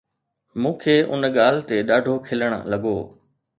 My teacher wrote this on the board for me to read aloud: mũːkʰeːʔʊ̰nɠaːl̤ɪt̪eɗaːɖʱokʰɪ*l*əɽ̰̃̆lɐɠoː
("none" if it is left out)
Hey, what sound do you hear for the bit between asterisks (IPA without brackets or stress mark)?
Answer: l